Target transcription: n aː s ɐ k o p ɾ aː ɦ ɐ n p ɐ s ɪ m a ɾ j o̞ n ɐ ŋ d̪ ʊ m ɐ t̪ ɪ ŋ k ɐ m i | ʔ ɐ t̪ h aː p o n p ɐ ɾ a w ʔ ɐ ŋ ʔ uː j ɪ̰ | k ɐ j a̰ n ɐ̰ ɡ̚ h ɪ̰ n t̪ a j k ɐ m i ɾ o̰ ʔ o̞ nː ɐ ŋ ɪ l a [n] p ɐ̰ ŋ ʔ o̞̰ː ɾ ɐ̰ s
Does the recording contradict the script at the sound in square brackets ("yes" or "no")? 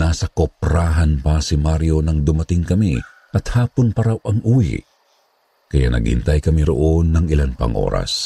no